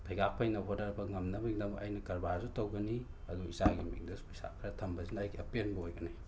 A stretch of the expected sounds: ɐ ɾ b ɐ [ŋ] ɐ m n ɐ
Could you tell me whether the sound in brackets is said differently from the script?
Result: no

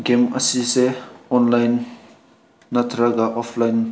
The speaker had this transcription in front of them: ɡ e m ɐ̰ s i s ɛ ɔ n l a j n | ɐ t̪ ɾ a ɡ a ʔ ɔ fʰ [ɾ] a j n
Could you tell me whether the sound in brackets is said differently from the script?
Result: yes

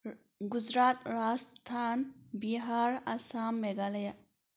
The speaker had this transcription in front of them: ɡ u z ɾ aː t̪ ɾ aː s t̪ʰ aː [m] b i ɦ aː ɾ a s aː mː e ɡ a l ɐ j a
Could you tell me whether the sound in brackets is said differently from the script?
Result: yes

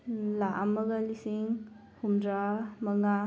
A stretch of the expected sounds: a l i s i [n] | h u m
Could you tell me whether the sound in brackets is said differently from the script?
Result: yes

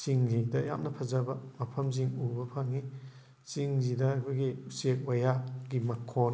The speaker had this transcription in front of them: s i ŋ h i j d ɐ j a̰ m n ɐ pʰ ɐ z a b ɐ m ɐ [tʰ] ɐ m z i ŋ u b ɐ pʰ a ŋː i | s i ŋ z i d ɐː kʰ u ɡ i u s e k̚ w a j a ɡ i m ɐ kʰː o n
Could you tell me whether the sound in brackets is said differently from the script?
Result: yes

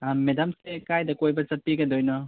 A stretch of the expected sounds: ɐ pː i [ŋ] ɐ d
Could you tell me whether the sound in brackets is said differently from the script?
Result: yes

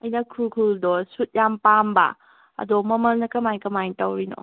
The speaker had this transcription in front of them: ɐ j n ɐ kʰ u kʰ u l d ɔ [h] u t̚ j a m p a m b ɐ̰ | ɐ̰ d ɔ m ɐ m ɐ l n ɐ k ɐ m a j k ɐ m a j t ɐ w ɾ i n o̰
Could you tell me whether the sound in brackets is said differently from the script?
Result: yes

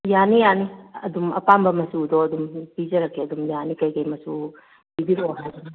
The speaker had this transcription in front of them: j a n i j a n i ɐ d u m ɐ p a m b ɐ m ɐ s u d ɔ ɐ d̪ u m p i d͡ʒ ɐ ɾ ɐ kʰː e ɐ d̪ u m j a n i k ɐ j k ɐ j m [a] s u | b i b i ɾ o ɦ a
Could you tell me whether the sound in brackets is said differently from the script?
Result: yes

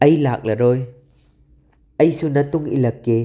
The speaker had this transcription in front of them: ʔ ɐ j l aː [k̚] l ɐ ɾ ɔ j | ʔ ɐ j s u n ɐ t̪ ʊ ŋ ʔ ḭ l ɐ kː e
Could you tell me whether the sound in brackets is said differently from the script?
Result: no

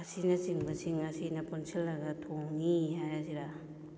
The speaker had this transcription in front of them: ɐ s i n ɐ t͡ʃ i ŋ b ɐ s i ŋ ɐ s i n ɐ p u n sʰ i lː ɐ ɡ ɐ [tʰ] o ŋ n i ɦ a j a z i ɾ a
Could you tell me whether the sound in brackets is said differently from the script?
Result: no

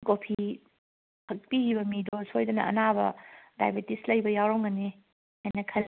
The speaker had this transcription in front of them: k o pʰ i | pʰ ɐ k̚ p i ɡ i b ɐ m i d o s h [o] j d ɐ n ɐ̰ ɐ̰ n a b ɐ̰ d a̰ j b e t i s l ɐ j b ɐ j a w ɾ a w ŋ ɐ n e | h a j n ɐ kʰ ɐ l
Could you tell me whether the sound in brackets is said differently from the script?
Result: no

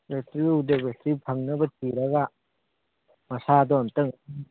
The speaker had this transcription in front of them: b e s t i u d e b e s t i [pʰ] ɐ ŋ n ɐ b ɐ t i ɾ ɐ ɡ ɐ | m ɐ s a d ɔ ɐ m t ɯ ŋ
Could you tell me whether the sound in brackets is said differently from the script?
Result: no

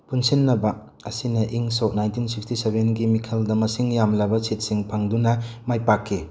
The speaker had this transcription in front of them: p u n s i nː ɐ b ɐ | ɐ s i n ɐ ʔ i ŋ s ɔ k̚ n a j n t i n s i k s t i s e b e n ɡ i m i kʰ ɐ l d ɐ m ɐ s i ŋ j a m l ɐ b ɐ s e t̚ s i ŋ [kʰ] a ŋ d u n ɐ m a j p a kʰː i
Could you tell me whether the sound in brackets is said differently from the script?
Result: yes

